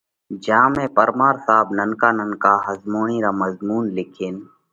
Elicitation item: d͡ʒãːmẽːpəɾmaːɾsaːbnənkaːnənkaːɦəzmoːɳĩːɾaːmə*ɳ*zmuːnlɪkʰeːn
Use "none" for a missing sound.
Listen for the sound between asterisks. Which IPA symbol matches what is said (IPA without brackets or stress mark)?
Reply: none